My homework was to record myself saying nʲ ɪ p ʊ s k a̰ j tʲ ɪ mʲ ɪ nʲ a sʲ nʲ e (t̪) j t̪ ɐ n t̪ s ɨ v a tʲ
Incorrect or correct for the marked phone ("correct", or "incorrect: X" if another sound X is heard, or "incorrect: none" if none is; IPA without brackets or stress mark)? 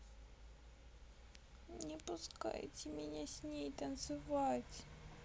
incorrect: none